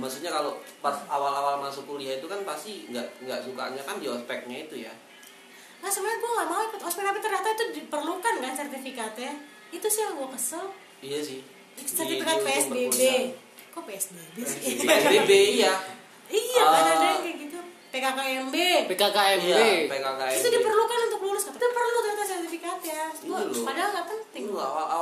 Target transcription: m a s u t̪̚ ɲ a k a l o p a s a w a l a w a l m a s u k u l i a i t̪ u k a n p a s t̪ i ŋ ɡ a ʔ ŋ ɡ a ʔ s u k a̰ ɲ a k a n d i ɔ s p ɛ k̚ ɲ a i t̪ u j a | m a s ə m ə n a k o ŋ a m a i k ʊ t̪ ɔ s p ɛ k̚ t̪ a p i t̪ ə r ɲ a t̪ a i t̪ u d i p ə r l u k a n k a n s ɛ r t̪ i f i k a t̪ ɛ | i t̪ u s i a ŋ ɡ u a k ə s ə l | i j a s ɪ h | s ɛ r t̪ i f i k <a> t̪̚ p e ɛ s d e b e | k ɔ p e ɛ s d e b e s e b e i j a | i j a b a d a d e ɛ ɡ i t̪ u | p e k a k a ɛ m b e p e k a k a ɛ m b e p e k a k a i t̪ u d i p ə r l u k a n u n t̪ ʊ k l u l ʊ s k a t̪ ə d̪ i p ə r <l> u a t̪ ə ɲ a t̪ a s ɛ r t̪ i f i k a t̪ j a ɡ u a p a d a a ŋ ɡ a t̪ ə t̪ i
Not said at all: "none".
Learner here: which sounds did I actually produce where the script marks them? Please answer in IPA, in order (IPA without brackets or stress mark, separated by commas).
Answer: a, l